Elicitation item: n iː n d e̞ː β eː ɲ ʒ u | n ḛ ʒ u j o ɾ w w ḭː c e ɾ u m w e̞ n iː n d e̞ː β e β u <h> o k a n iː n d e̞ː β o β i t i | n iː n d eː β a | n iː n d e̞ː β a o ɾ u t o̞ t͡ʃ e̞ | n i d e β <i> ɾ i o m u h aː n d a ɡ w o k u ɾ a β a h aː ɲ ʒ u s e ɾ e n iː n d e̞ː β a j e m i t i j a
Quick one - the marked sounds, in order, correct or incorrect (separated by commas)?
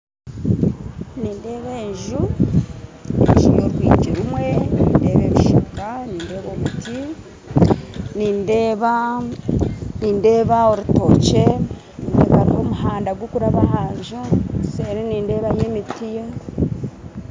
incorrect, incorrect